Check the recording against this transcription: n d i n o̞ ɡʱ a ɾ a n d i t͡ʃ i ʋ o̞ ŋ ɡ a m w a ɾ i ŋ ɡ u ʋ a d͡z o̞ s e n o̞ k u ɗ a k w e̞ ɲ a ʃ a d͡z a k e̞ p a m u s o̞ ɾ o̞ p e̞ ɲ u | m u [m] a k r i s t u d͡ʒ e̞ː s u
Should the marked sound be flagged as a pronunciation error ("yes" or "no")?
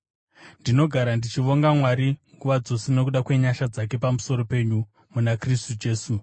yes